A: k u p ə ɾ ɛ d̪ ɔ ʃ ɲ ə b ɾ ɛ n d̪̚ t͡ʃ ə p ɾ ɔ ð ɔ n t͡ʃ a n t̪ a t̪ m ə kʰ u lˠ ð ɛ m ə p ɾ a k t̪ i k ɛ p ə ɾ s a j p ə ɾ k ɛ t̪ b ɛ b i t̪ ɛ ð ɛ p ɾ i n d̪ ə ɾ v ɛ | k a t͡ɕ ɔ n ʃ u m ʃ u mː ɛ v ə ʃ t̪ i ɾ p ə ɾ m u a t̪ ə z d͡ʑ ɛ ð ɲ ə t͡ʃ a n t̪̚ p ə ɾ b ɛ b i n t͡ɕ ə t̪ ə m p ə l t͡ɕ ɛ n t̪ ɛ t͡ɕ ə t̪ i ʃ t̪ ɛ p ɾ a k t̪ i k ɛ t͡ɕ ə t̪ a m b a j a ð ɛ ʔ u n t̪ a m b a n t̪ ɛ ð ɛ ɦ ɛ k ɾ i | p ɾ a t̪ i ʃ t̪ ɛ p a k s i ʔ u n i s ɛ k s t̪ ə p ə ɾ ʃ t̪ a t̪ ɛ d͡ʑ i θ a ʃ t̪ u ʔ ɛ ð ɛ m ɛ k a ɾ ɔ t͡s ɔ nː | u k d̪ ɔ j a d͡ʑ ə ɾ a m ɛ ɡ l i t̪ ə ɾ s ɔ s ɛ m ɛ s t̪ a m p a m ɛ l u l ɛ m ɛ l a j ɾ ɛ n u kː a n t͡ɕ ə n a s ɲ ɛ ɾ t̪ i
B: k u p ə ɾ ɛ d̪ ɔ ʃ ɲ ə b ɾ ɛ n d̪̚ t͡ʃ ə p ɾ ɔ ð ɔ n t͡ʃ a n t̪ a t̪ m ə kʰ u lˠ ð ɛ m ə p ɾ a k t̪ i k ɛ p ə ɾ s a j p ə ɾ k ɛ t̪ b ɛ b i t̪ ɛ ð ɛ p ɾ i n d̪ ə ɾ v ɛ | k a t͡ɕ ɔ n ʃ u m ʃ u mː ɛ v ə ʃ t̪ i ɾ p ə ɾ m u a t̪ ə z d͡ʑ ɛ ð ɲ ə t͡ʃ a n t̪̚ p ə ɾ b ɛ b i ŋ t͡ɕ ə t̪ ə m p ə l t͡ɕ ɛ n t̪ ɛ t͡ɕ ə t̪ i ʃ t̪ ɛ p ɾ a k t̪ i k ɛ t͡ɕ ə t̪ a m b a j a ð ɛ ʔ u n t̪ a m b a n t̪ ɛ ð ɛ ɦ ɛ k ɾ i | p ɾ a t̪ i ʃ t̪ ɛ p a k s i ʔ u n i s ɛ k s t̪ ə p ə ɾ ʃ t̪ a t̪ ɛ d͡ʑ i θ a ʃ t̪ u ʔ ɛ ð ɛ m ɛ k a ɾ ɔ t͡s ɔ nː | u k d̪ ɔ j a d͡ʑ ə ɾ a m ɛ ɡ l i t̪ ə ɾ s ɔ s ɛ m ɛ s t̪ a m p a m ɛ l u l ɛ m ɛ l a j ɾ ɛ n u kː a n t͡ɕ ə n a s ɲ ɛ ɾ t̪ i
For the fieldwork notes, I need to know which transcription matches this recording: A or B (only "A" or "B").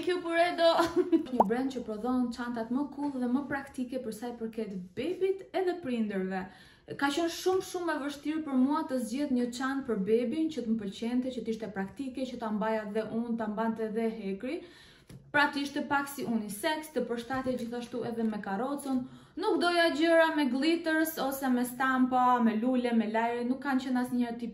A